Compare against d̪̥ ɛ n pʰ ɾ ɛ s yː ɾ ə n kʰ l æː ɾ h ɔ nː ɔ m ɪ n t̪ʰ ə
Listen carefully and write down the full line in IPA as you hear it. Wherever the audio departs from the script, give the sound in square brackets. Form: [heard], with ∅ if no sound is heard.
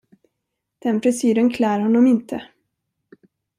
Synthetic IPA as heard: d̪̥ ɛ n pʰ ɾ ɛ s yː ɾ ə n kʰ l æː ɾ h ɔ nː ɔ m ɪ n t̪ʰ ə